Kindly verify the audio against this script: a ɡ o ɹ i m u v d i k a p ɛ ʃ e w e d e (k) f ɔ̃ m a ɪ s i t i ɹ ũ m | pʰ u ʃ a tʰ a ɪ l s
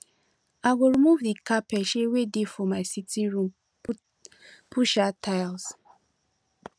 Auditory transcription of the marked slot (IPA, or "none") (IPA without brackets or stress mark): none